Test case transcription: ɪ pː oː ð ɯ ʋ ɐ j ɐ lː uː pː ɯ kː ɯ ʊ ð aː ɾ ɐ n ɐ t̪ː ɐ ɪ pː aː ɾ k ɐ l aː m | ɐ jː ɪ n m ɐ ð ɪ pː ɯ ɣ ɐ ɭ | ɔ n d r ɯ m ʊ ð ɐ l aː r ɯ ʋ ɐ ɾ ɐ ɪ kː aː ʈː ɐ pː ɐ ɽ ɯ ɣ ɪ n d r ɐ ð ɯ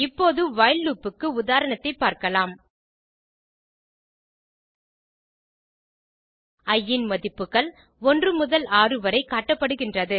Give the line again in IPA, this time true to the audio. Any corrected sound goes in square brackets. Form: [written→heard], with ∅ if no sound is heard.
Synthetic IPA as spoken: ɪ pː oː ð ɯ ʋ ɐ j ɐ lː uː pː ɯ kː ɯ ʊ ð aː ɾ ɐ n ɐ t̪ː ɐ ɪ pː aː ɾ k ɐ l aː m | ɐ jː ɪ n m ɐ ð ɪ pː ɯ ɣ ɐ ɭ | ɔ n d r ɯ m ʊ ð ɐ l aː r ɯ ʋ ɐ ɾ ɐ ɪ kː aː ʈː ɐ pː ɐ ɽ ɯ ɣ ɪ n d r ɐ ð ɯ